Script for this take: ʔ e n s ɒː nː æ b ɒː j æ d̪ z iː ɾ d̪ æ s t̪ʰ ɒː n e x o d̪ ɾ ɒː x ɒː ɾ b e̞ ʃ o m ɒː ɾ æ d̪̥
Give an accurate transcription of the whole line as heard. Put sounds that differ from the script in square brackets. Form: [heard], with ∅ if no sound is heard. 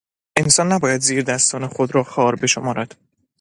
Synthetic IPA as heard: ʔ e n s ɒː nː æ b ɒː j æ d̪ z iː ɾ d̪ æ s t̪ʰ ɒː n e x o d̪ ɾ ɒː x ɒː ɾ b e̞ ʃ o m ɒː ɾ æ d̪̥